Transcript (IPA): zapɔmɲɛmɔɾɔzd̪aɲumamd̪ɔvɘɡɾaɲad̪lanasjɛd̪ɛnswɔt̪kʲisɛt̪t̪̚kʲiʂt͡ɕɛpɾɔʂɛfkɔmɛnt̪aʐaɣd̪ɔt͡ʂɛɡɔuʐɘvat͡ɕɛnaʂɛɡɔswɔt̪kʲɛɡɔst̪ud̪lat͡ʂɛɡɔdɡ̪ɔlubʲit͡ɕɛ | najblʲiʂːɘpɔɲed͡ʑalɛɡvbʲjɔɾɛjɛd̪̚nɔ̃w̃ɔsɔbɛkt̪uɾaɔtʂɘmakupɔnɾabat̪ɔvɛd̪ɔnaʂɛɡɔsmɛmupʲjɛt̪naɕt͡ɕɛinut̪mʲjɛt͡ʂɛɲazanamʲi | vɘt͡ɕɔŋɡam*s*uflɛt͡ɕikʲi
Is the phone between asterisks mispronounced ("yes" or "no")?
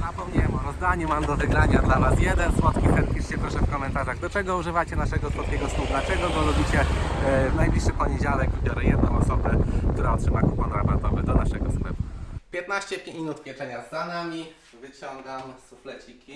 no